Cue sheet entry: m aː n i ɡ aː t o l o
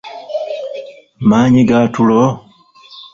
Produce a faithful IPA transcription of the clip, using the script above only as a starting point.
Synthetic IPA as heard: m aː ɲ i ɡ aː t u l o

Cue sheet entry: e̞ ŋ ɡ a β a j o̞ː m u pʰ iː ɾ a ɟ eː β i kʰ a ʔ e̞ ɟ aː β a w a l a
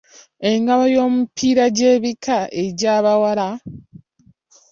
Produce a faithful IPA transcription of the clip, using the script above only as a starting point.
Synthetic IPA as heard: e̞ ŋ ɡ a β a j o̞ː m u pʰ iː ɾ a ɟ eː β i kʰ a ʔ e̞ ɟ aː β a w a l a

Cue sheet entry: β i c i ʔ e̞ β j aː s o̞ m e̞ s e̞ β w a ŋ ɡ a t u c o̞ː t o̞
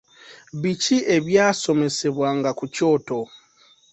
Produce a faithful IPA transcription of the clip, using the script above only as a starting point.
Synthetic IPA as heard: β i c i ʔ e̞ β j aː s o̞ m e̞ s e̞ β w a ŋ ɡ a k u c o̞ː t o̞

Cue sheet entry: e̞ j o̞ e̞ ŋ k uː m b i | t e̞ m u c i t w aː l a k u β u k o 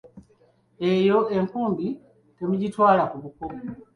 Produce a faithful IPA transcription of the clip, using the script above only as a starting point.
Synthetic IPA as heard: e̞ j o̞ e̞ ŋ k uː m b i | t e̞ m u ɟ i t w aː l a k u β u k o

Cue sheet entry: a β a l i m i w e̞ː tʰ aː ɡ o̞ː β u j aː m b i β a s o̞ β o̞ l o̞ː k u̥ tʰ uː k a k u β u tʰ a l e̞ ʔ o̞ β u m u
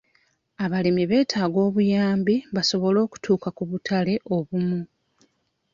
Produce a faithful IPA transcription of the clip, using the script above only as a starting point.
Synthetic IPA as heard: a β a l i m i β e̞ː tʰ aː ɡ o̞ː β u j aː m b i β a s o̞ β o̞ l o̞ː k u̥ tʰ uː k a k u β u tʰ a l e̞ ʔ o̞ β u m u

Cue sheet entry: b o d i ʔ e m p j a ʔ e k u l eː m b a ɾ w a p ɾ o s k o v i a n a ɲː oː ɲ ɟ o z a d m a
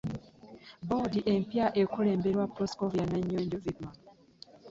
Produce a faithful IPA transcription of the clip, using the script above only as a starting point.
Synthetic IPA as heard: b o d i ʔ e m p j a ʔ e k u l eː m b e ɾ w a p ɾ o s k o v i a n a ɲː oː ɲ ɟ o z i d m a

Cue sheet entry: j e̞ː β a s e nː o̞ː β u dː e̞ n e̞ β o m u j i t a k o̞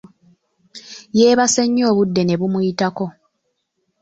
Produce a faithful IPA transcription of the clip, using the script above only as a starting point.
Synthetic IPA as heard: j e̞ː β a s e ɲː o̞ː β u dː e̞ n e̞ β u m u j i t a k o̞

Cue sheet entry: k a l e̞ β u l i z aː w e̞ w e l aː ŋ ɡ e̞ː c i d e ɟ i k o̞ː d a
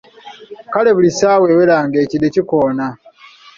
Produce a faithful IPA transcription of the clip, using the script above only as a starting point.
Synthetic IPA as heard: k a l e̞ β u l i s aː w e̞ w e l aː ŋ ɡ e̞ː c i d e c i k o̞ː n a

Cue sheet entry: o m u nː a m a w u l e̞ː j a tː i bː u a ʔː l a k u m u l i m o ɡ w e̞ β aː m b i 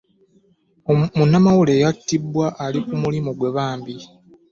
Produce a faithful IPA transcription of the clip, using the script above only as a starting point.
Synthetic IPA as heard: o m u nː a m a w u l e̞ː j a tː i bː w a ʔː l i k u m u l i m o ɡ w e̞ β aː m b i

